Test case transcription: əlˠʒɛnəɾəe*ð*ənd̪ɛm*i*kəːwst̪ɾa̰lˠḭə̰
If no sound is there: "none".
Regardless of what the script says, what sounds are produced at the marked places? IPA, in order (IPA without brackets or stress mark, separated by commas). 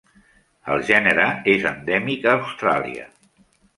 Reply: z, i